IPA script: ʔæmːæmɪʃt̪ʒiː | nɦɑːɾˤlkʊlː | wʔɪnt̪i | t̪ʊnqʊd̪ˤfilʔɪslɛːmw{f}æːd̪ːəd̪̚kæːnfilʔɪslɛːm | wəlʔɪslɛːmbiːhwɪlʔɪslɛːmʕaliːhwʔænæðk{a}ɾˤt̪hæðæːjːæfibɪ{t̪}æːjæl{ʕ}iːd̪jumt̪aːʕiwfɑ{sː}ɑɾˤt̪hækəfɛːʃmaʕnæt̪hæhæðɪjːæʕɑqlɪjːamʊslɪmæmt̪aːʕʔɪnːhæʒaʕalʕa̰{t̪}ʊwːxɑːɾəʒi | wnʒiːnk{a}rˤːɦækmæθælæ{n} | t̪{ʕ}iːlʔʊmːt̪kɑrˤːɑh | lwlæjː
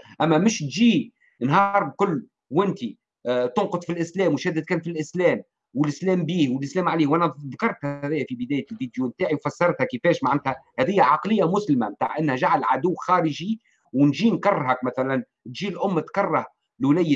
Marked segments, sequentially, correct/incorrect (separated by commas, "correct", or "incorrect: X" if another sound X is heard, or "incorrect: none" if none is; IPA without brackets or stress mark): incorrect: ʃ, incorrect: ɑ, incorrect: d̪, incorrect: v, correct, incorrect: d̪, incorrect: ɑ, correct, incorrect: ʒ